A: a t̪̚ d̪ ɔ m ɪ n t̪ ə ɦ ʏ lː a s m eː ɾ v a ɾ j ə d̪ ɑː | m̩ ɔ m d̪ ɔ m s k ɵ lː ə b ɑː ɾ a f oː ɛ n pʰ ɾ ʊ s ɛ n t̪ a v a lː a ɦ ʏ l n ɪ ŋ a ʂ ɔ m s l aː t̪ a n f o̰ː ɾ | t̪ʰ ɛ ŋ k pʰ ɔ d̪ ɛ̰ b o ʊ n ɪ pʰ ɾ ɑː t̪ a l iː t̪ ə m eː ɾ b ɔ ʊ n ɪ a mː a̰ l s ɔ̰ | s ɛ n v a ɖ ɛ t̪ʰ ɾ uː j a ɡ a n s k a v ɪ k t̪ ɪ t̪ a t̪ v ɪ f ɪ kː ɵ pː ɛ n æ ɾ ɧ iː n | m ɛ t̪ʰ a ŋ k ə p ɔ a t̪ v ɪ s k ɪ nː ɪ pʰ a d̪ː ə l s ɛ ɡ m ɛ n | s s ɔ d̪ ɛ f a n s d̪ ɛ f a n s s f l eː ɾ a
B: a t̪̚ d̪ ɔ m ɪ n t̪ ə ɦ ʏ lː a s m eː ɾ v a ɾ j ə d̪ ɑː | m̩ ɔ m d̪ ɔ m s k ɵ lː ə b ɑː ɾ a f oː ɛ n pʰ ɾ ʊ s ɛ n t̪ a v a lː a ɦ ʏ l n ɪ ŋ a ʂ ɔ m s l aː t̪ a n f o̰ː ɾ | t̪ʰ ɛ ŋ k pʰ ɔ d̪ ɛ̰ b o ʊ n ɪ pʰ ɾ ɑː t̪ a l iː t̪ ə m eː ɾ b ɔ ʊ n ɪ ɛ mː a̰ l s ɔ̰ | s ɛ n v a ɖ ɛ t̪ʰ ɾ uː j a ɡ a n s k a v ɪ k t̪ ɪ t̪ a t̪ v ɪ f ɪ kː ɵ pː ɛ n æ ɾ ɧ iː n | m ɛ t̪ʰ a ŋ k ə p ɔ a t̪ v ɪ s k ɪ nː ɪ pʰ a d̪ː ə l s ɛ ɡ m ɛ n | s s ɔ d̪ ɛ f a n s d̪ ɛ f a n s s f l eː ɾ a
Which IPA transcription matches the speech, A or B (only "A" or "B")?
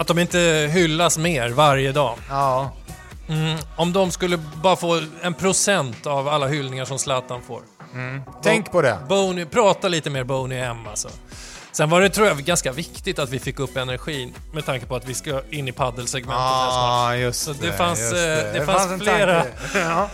B